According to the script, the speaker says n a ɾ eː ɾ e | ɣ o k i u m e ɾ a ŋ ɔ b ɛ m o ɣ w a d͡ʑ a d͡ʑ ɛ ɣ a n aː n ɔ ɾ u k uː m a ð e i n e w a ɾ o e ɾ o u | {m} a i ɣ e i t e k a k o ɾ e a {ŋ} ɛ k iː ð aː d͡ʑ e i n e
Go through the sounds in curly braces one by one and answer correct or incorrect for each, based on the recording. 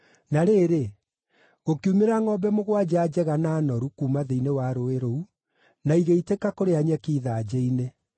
incorrect: n, incorrect: ɲ

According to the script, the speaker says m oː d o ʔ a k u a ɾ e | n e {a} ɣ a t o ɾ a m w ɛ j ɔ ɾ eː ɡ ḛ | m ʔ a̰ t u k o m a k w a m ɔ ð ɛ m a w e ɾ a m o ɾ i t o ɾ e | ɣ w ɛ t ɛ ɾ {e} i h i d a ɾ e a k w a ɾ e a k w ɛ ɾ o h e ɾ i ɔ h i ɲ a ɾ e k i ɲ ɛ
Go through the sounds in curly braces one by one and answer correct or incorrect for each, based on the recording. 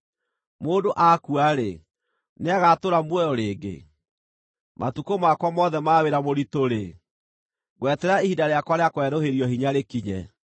correct, incorrect: a

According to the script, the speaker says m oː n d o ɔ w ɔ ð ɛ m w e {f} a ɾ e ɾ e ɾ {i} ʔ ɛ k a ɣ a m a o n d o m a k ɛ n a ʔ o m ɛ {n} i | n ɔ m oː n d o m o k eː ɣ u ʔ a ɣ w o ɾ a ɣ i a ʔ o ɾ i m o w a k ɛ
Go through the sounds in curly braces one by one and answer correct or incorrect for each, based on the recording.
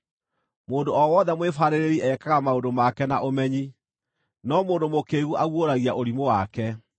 correct, correct, incorrect: ɲ

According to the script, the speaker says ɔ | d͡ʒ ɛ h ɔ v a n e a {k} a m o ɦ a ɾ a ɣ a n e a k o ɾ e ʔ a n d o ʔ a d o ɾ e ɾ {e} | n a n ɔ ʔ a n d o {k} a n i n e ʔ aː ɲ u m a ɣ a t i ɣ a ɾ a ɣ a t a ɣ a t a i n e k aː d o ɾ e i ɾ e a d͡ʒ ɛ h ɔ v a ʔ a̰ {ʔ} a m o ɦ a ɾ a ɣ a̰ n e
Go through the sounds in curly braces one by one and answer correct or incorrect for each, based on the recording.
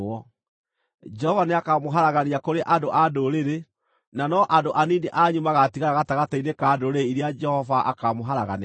correct, correct, incorrect: ʔ, incorrect: k

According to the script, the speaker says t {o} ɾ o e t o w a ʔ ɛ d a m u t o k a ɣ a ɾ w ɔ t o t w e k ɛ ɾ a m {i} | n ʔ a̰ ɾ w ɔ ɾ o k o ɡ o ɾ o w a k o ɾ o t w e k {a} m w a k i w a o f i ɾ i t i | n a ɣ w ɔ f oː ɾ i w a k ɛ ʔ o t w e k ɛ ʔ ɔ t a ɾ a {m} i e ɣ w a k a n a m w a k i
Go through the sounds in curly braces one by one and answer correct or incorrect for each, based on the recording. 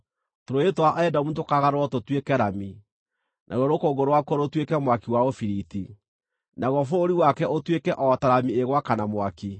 correct, correct, incorrect: ɛ, correct

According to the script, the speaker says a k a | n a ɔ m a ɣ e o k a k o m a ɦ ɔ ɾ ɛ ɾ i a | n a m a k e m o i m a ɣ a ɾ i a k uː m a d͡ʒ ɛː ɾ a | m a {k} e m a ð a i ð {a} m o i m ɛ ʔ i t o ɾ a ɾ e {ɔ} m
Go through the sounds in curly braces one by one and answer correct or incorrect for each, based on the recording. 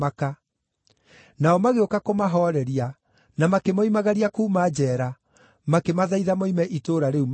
correct, correct, incorrect: u

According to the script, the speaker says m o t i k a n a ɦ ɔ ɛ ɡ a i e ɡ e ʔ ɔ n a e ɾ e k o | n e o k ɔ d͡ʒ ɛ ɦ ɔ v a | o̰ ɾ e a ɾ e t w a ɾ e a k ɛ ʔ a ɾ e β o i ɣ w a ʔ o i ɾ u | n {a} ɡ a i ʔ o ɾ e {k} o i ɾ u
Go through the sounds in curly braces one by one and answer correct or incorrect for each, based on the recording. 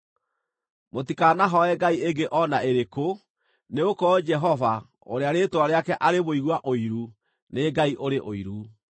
incorrect: e, incorrect: ʔ

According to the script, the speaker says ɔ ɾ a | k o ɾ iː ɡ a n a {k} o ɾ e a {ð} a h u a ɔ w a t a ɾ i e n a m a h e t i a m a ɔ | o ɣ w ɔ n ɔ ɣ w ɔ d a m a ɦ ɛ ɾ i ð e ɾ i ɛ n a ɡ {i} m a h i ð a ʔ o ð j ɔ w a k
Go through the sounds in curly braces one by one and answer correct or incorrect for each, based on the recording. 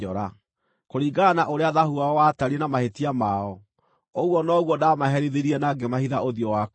incorrect: ʔ, correct, incorrect: e

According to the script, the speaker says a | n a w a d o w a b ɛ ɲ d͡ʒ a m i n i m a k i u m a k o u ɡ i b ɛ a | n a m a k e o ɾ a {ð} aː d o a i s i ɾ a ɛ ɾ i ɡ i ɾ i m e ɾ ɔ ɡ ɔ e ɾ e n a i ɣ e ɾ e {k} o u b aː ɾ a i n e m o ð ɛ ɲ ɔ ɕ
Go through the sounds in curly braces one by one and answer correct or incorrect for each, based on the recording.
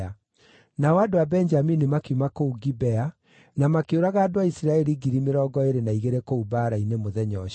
incorrect: ɣ, correct

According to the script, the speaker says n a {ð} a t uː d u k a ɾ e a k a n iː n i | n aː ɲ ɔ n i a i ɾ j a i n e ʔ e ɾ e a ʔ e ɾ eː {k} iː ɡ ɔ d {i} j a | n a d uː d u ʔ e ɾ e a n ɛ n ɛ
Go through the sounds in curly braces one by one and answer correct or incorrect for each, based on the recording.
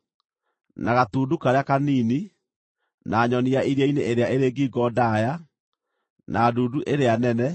incorrect: ɣ, incorrect: ɡ, incorrect: a

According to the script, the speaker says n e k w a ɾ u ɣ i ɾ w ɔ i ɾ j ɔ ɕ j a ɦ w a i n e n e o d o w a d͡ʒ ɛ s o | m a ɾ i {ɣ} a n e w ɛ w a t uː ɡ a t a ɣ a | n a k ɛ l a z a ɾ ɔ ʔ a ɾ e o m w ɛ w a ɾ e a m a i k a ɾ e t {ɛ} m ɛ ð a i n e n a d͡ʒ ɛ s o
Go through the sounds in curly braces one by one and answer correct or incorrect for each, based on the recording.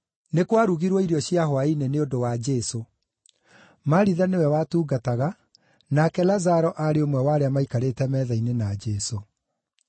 incorrect: ð, correct

